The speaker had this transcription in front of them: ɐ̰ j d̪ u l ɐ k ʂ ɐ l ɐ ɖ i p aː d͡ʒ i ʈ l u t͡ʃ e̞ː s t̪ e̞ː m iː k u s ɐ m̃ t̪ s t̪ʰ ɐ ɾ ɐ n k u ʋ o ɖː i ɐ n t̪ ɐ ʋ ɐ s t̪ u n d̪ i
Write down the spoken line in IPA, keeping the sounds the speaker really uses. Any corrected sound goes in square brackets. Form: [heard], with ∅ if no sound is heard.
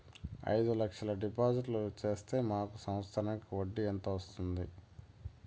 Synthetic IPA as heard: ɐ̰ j d̪ u l ɐ k ʂ ɐ l ɐ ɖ i p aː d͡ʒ i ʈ l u t͡ʃ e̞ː s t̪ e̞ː m [aː] k u s ɐ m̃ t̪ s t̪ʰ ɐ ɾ ɐ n k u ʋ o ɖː i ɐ n t̪ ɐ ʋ ɐ s t̪ u n d̪ i